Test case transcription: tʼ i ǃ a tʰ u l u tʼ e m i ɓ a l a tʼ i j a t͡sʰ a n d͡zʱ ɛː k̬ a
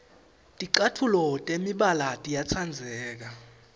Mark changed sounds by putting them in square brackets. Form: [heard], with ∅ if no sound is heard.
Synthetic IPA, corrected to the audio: tʼ i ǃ a tʰ u l [ɔ] tʼ e m i ɓ a l a tʼ i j a t͡sʰ a n d͡zʱ ɛː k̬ a

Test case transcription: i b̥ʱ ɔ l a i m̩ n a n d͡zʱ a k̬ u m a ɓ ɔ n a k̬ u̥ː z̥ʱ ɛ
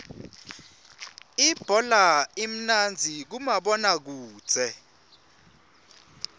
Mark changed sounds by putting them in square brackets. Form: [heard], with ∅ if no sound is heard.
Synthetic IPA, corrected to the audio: i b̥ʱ ɔ l a i m̩ n a n d͡zʱ [i] k̬ u m a ɓ ɔ n a k̬ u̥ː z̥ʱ ɛ

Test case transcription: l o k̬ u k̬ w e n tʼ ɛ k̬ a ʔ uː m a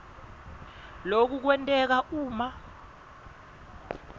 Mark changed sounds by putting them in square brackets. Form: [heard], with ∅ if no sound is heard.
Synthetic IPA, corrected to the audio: l o k̬ u k̬ w [ɛ] n tʼ ɛ k̬ a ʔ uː m a

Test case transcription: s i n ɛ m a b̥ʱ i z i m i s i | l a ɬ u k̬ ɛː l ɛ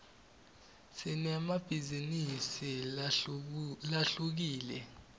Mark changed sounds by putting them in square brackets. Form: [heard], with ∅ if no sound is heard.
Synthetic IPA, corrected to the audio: s i n ɛ m a b̥ʱ i z i [n] i s i | l a ɬ u k̬ [iː] l ɛ

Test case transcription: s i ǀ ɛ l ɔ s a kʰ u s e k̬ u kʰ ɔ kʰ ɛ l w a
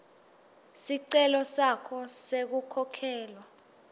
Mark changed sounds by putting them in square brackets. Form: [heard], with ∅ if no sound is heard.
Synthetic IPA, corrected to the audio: s i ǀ ɛ l ɔ s a kʰ [ɔ] s e k̬ u kʰ ɔ kʰ [ɛː] l w a

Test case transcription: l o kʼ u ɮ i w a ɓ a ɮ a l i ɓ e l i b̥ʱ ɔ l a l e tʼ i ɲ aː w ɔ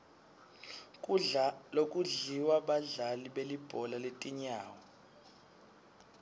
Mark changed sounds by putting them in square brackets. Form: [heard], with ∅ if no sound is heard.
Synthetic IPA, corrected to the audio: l o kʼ u ɮ i w a ɓ a ɮ a l i ɓ e l i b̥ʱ ɔ l a l e tʼ i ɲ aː w ɔ

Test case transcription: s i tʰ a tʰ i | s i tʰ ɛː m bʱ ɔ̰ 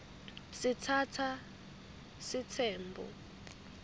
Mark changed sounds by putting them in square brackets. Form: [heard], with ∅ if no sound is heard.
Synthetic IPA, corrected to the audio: s i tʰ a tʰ [a] | s i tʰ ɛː m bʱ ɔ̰

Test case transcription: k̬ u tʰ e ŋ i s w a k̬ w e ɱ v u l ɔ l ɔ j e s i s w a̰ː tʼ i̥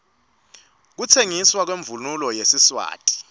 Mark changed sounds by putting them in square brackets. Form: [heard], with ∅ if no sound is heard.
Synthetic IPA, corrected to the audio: k̬ u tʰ e ŋ i s w a k̬ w e ɱ v u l [u] l ɔ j e s i s w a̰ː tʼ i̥

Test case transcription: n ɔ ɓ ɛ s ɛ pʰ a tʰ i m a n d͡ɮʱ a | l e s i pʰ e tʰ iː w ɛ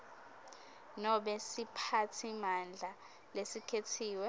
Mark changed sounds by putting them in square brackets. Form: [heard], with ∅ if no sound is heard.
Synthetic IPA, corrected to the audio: n ɔ ɓ ɛ s [i] pʰ a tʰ i m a n d͡ɮʱ a | l e s i [kʰ] e tʰ iː w ɛ

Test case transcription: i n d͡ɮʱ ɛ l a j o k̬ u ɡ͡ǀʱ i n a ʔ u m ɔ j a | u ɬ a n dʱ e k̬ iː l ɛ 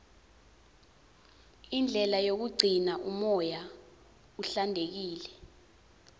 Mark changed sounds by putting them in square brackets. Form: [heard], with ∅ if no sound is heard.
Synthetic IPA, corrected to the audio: i n d͡ɮʱ ɛ l a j o k̬ u ɡ͡ǀʱ i n a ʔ u m ɔ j a | u ɬ a n dʱ e k̬ iː l ɛ

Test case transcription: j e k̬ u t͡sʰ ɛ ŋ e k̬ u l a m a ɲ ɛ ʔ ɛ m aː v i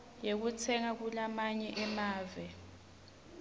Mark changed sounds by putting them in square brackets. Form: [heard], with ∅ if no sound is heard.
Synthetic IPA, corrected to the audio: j e k̬ u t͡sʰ ɛ ŋ [a] k̬ u l a m a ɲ ɛ ʔ ɛ m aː v [ɛ]

